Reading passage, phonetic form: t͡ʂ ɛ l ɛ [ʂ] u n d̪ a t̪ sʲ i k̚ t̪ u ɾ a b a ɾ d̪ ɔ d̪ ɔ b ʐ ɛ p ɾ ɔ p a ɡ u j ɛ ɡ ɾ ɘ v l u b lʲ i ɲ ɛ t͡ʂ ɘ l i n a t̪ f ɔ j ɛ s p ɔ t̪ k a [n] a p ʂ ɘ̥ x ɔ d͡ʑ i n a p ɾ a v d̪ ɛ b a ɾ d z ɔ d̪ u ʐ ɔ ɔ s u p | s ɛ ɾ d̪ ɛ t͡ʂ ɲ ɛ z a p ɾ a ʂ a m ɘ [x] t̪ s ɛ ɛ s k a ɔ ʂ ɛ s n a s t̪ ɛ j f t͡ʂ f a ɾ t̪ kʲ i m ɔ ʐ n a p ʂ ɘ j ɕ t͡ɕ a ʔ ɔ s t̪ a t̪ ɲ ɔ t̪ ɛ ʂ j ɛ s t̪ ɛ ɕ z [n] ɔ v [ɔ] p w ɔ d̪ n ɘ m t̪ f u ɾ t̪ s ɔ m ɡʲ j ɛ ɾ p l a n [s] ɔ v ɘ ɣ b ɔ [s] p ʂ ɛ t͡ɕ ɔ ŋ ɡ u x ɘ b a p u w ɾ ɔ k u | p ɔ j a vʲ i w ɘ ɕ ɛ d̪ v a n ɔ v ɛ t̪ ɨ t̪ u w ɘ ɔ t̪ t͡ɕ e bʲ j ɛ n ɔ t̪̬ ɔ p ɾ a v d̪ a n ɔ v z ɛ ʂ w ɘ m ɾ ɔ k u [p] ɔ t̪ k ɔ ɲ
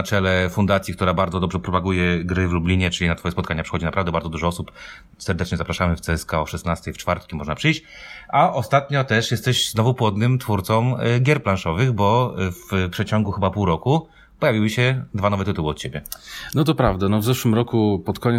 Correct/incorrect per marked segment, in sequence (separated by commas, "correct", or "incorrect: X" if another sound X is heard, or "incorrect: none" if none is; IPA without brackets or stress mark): incorrect: f, incorrect: ɲ, incorrect: f, correct, incorrect: u, incorrect: ʂ, incorrect: f, correct